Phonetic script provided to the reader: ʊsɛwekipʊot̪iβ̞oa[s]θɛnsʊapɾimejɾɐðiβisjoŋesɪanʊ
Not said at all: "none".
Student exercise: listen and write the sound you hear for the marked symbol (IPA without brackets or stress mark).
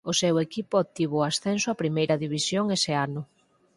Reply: s